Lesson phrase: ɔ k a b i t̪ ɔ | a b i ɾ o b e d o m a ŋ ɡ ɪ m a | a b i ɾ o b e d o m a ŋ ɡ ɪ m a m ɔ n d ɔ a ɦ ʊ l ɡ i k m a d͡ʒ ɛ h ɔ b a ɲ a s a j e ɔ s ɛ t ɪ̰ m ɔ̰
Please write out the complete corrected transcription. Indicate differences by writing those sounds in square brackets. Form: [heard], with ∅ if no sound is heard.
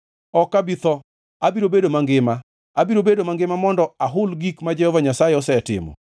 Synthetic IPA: ɔ k a b i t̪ ɔ | a b i ɾ o b e d o m a ŋ ɡ ɪ m a | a b i ɾ o b e d o m a ŋ ɡ ɪ m a m ɔ n d ɔ a ɦ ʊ l ɡ i k m a d͡ʒ ɛ h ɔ [v] a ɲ a s a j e ɔ s ɛ t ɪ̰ m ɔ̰